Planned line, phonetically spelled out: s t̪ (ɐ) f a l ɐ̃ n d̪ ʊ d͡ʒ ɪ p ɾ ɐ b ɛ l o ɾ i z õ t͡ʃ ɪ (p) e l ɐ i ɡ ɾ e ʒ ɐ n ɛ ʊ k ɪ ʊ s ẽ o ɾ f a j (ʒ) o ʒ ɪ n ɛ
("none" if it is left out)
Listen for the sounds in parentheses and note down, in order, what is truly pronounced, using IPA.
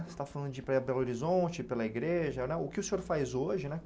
a, p, z

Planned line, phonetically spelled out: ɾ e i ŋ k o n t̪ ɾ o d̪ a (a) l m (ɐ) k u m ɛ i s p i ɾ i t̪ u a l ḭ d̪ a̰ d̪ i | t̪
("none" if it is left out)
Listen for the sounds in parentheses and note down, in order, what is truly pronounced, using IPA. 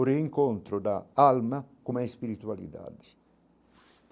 a, a

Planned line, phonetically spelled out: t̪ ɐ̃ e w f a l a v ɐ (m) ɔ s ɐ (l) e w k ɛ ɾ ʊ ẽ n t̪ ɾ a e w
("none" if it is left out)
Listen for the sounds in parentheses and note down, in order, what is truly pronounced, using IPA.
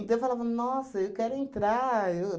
n, none

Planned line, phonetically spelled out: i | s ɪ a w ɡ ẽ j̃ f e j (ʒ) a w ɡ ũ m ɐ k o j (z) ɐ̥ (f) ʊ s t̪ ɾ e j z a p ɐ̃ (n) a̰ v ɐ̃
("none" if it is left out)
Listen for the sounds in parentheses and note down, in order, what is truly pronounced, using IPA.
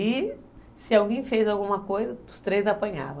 z, z, none, ɲ

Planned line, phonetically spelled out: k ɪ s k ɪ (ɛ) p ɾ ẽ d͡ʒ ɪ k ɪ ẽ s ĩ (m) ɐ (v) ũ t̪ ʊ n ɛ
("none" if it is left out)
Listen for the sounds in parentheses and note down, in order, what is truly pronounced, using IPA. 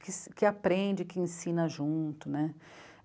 a, n, ʒ

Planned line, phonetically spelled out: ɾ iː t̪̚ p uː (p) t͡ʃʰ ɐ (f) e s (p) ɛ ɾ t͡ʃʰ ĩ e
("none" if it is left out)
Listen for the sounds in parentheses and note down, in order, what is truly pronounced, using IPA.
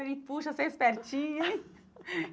none, s, p

